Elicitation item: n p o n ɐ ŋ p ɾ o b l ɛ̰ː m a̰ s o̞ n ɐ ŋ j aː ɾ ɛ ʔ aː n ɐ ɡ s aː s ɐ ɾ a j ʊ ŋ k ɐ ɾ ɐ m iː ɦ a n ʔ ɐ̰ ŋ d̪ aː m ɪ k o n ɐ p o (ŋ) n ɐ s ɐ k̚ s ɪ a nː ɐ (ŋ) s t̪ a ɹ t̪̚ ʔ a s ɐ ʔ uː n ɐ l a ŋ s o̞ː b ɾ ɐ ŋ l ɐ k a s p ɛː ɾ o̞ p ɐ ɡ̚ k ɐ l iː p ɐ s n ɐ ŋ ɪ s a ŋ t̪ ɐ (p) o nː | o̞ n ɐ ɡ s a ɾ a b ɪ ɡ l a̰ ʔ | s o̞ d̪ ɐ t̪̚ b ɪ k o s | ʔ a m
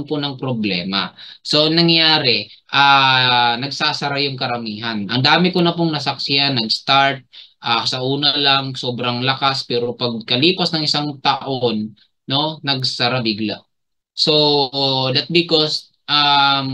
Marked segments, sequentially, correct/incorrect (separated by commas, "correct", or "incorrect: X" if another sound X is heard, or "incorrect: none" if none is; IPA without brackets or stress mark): correct, incorrect: ɡ, incorrect: ʔ